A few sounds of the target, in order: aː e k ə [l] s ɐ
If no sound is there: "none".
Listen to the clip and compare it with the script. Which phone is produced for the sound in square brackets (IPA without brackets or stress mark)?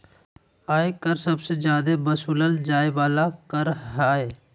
ɾ